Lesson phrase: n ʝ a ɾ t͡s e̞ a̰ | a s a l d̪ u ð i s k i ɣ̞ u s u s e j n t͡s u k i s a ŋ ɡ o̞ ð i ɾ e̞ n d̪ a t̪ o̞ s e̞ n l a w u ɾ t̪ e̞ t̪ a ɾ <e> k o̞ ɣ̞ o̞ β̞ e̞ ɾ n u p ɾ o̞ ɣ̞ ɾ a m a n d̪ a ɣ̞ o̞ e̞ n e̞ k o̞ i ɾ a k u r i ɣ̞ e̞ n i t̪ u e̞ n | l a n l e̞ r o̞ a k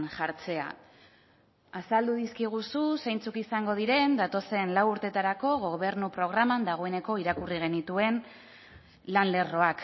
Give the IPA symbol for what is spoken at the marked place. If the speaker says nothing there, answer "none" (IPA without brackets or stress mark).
a